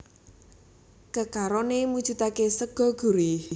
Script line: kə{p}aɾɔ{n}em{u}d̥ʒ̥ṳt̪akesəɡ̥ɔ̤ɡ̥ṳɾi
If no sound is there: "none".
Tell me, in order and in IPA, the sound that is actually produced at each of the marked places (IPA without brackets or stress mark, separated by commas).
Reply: k, n, u